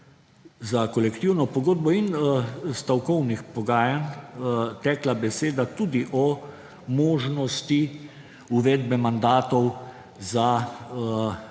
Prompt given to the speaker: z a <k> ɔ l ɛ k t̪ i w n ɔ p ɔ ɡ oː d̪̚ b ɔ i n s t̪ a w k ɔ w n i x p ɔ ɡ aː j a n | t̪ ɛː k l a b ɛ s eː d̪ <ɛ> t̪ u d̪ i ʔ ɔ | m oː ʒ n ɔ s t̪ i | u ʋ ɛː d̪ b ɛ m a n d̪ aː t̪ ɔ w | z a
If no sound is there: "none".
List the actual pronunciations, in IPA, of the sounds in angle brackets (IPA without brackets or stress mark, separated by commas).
k, a